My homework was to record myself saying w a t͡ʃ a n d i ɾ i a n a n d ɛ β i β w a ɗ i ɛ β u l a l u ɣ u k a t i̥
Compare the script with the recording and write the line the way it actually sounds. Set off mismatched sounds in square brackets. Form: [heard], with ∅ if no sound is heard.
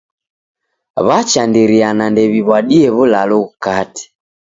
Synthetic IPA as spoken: [β] a t͡ʃ a n d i ɾ i a n a n d ɛ β i β w a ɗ i ɛ β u l a l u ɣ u k a t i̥